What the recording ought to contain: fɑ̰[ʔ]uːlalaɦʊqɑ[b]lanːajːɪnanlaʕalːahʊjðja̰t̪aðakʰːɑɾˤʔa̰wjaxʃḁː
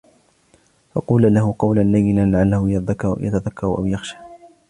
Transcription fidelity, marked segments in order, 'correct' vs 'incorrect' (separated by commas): incorrect, incorrect